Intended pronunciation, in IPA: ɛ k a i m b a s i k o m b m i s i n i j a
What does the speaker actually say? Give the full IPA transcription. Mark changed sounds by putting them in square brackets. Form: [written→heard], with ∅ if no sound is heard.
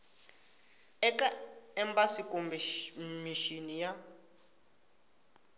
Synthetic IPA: ɛ k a [i→ɛ] m b a s i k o m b m i [s→ʃ] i n i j a